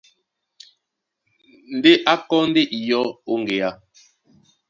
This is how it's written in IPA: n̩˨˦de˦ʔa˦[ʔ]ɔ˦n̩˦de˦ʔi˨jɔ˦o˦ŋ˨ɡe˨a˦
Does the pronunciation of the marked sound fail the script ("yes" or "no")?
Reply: yes